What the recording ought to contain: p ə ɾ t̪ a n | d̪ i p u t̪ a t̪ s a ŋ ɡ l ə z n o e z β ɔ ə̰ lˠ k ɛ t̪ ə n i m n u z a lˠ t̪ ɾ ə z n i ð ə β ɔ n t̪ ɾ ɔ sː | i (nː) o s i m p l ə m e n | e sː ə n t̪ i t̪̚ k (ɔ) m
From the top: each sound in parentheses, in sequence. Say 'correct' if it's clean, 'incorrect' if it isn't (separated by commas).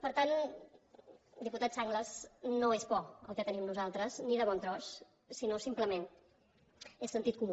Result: incorrect, incorrect